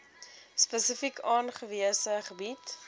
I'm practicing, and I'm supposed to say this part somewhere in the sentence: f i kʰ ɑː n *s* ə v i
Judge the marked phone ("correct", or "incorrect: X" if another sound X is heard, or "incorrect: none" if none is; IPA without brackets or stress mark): incorrect: χ